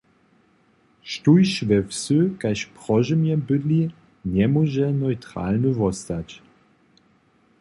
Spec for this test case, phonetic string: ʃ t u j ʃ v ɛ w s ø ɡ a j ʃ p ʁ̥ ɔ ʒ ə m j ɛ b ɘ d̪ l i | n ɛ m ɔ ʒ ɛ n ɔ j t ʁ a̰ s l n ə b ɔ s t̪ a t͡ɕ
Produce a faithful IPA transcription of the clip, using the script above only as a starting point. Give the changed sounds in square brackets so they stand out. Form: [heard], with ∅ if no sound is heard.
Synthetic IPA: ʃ t u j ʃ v ɛ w s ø [k] a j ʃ p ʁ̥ ɔ ʒ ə m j ɛ b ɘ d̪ l i | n ɛ m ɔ ʒ ɛ n ɔ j t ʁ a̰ [∅] l n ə [v] ɔ s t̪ a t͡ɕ